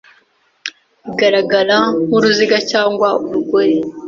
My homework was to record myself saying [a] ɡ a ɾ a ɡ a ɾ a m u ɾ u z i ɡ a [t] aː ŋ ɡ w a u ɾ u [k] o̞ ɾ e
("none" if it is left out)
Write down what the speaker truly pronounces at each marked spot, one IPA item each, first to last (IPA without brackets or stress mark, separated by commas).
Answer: i, c, ɡ